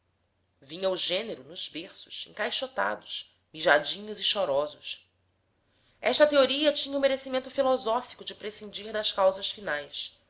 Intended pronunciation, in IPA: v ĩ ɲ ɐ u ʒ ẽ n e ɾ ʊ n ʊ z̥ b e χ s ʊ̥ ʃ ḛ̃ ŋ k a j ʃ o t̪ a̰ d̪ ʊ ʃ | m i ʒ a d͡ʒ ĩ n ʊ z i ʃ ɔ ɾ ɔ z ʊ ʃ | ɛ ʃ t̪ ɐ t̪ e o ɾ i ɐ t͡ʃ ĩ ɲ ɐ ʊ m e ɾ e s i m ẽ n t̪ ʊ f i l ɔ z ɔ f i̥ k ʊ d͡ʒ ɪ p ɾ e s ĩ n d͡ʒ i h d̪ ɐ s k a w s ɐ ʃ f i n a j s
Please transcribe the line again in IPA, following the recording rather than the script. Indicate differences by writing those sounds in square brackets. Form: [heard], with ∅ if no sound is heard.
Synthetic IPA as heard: v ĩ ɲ ɐ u ʒ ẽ n e ɾ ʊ n ʊ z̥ b e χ s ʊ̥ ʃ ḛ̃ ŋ k a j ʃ o t̪ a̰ d̪ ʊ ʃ | m i ʒ a d͡ʒ ĩ [ɲ] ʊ z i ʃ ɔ ɾ ɔ z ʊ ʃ | ɛ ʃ t̪ ɐ t̪ e o ɾ i ɐ t͡ʃ ĩ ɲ ɐ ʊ m e ɾ e s i m ẽ n t̪ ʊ f i l ɔ z ɔ f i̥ k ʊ d͡ʒ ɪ p ɾ e s ĩ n d͡ʒ i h d̪ ɐ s k a w [z] ɐ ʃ f i n a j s